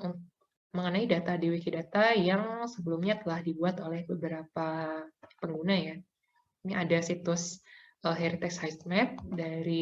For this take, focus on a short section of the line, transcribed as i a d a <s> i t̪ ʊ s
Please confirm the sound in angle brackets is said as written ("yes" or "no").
yes